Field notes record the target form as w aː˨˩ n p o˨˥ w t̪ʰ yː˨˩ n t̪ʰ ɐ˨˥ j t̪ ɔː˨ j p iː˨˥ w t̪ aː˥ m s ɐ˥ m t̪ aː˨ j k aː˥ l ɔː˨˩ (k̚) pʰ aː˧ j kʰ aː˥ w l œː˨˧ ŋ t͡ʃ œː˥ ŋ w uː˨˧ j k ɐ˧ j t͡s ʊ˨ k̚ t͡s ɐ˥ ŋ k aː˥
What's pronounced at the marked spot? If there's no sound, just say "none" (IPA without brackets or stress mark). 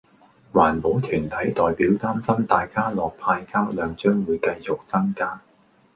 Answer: k̚